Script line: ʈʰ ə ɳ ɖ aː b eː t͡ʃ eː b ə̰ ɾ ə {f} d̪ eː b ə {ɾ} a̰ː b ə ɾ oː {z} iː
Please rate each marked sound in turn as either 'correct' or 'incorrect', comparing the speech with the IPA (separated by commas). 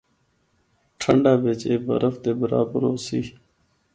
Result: correct, correct, incorrect